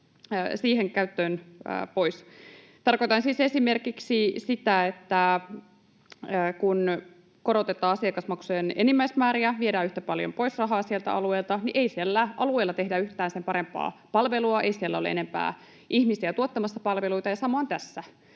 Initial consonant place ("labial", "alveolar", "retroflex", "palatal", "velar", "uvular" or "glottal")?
alveolar